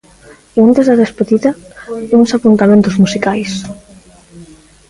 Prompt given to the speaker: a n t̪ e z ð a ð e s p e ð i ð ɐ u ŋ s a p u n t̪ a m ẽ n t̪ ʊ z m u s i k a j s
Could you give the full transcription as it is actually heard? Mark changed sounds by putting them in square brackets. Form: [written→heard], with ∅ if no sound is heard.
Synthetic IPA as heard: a n t̪ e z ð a ð e s p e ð i ð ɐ u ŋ s a p u n t̪ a m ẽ n t̪ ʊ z m u s i k a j s